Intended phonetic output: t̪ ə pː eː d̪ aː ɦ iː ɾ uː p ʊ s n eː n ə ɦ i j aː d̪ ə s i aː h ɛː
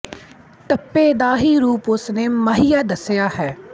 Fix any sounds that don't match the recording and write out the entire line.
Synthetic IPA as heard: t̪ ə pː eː d̪ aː ɦ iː ɾ uː p ʊ s n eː m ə ɦ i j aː d̪ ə s j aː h ɛː